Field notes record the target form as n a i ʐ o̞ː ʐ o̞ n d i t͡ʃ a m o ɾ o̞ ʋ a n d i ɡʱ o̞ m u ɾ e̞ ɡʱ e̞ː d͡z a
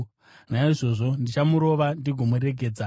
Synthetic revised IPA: n a i ʐ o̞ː ʐ o̞ n d i t͡ʃ a m u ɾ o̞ ʋ a n d i ɡʱ o̞ m u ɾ e̞ ɡʱ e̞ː d͡z a